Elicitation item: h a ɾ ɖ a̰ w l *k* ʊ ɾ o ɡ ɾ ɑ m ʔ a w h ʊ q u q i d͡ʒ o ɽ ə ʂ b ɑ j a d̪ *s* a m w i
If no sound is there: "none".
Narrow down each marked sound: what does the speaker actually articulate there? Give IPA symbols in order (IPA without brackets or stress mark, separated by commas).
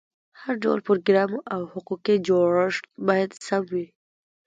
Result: p, s